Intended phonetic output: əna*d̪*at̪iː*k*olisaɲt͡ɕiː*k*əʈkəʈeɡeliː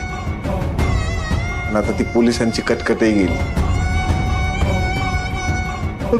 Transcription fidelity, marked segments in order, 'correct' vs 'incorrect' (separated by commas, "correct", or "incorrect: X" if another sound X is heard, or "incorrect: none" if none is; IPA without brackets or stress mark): incorrect: t̪, incorrect: p, correct